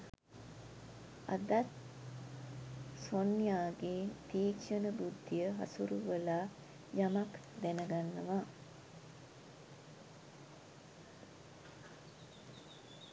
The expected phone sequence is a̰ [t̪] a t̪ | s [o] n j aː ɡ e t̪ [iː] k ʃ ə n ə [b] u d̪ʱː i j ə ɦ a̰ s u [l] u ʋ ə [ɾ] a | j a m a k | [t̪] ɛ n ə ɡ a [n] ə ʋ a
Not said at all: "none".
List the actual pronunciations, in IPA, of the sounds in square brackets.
d̪, o, iː, b, ɾ, l, d̪, nː

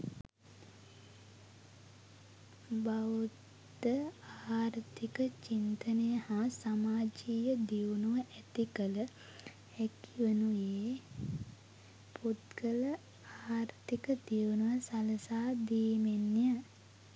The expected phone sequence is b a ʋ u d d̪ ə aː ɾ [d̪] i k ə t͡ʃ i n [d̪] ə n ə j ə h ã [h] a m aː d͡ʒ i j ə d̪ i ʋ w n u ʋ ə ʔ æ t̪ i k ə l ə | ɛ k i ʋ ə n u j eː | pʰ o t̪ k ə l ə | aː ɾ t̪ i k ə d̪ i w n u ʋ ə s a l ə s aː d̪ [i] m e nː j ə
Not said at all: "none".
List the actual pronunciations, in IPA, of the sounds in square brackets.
t̪, t̪, s, iː

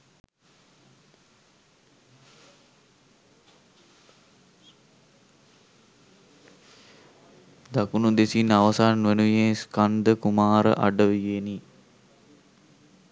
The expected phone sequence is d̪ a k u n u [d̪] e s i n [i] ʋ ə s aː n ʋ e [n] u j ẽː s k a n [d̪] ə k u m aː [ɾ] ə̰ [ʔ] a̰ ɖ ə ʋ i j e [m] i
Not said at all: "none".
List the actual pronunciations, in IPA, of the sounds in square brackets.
d̪, a, n, d̪, ɾ, ʔ, n

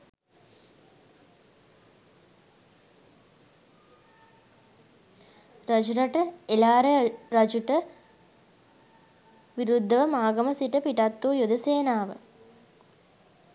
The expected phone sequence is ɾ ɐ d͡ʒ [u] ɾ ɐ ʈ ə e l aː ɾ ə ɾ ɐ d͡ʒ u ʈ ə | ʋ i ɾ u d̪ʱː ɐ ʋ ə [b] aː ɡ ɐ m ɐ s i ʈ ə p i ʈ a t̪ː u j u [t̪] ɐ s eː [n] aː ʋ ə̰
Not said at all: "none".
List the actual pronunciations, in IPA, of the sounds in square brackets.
u, m, d̪, n

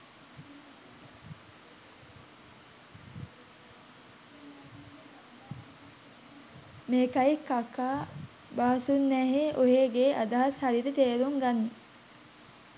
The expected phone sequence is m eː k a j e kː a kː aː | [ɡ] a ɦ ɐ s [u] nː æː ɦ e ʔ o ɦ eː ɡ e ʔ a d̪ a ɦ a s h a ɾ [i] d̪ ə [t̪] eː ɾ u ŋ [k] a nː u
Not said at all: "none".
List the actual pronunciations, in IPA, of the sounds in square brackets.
b, u, i, t̪, ɡ

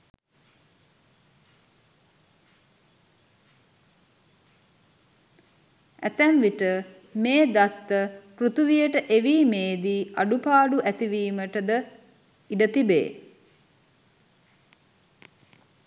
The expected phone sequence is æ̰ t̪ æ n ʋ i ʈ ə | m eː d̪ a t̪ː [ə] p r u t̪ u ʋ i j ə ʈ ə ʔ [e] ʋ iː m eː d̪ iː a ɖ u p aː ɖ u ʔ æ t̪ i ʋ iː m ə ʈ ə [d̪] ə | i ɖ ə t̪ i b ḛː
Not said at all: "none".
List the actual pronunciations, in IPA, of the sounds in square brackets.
ə, e, d̪

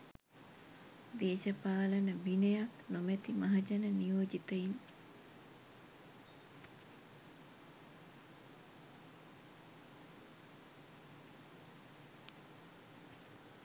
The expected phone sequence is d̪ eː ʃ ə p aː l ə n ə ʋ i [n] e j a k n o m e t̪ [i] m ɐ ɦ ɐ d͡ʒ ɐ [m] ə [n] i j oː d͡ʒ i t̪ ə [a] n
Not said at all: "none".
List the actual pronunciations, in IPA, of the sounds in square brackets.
n, i, n, n, i

